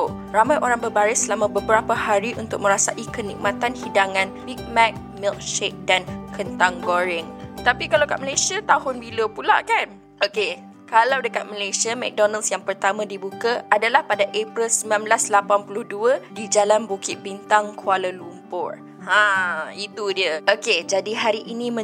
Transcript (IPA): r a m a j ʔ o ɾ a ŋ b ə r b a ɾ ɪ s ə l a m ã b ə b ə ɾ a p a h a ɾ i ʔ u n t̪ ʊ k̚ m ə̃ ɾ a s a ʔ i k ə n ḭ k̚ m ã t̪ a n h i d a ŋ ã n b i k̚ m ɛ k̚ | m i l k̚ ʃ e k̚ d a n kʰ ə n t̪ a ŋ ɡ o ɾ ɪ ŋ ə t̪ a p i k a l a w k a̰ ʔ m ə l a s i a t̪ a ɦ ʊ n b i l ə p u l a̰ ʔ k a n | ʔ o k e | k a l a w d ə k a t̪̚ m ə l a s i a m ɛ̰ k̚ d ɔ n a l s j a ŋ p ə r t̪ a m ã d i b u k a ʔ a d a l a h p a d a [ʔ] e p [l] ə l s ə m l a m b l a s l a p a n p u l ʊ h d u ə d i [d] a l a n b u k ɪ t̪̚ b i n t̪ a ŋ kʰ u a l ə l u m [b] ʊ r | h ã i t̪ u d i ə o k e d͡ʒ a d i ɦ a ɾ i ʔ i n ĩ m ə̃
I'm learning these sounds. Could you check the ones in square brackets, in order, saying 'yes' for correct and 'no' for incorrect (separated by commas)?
yes, no, no, no